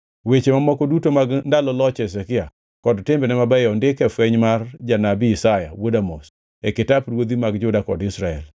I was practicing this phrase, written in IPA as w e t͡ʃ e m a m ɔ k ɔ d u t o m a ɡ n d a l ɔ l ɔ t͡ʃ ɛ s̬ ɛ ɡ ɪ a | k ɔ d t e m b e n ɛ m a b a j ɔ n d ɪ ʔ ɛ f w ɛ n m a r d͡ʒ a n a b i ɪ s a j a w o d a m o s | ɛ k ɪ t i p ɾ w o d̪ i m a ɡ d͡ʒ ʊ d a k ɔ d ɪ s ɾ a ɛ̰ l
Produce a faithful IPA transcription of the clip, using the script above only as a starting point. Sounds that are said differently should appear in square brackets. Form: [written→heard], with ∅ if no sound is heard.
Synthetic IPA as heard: w e t͡ʃ e m a m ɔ k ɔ d u t o m a ɡ n d a l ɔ l ɔ t͡ʃ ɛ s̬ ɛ [ɡ→k] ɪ a | k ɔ d t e m b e n ɛ m a b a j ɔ n d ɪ [ʔ→k] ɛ f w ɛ [n→ɲ] m a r d͡ʒ a n a b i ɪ s a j a w o d a m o s | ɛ k ɪ t [i→a] p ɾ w o d̪ i m a ɡ d͡ʒ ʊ d a k ɔ d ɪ s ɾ a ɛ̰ l